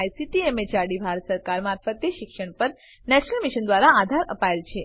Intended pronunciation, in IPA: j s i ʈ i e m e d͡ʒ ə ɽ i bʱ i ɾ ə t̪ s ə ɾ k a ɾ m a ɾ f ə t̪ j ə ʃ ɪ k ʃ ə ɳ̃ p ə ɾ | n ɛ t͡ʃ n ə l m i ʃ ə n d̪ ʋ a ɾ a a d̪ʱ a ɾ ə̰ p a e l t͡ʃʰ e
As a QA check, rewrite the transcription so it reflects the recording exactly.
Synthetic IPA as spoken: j s i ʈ i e m e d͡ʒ a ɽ i bʱ a ɾ ə t̪ s ə ɾ k a ɾ m a ɾ f ə t̪ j ə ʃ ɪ k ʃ ə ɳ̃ p ə ɾ | n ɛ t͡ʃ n ə l m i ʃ ə n d̪ ʋ a ɾ a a d̪ʱ a ɾ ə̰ p a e l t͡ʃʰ e

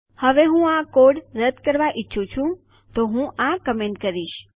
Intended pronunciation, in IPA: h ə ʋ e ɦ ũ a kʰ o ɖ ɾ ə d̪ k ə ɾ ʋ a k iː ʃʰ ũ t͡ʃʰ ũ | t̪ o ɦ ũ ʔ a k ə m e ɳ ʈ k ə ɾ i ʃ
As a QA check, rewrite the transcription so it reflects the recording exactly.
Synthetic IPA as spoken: h ə ʋ e ɦ ũ a k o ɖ ɾ ə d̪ k ə ɾ ʋ a ʔ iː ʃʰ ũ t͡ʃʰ ũ | t̪ o ɦ ũ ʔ a k ə m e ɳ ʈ k ə ɾ i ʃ

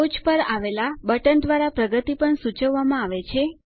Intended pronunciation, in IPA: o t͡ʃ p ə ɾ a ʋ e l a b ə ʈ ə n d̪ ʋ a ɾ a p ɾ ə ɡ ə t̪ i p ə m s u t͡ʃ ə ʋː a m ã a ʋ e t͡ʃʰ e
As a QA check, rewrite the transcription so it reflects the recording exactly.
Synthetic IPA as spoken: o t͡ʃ p ə ɾ a ʋ e l a b ə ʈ ə n d̪ ʋ a ɾ a p ɾ ə ɡ ə t̪ i p ə ɳ s u t͡ʃ ə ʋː a m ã a ʋ e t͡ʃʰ e

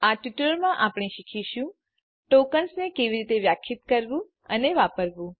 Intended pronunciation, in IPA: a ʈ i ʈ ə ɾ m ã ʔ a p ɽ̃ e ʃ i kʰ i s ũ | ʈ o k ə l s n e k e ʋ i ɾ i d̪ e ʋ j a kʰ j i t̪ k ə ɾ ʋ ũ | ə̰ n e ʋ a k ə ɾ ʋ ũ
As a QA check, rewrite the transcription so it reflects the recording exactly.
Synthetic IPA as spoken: a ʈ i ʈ ə ɾ m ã ʔ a p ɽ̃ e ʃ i kʰ i ʃ ũ | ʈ o k ə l s n e k e ʋ i ɾ i t̪ e ʋ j a kʰ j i t̪ k ə ɾ ʋ ũ | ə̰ n e ʋ a p ə ɾ ʋ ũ

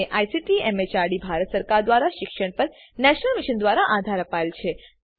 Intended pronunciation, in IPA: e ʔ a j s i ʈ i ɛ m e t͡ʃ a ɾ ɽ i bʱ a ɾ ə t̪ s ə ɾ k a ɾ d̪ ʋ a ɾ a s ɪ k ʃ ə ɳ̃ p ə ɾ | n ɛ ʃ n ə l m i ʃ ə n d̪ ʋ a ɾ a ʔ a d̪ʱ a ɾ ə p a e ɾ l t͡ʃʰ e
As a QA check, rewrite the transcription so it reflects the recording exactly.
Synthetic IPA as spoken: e ʔ a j s i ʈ i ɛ m e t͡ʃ a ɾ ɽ i bʱ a ɾ ə t̪ s ə ɾ k a ɾ d̪ ʋ a ɾ a ʃ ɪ k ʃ ə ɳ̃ p ə ɾ | n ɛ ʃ n ə l m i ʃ ə n d̪ ʋ a ɾ a ʔ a d̪ʱ a ɾ ə p a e l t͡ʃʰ e

